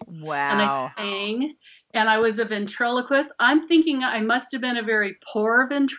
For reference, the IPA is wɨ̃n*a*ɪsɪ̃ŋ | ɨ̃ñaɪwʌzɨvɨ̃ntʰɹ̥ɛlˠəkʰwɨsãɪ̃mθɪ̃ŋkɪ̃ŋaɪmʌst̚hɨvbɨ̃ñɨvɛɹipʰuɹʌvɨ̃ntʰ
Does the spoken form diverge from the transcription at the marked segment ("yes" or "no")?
no